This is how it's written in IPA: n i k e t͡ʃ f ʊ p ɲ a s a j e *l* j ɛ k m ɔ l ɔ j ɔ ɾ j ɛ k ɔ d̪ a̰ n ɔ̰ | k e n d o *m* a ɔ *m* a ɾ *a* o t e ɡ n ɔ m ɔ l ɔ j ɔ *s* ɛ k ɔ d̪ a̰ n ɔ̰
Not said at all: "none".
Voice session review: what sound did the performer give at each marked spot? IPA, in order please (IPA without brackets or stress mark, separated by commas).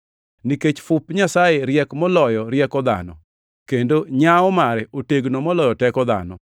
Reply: ɾ, ɲ, m, ɛ, t